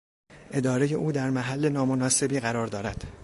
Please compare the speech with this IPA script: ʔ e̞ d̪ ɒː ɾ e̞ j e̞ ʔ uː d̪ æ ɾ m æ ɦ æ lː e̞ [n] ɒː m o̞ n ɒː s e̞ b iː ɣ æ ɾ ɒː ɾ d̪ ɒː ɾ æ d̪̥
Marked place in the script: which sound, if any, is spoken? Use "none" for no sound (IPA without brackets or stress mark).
n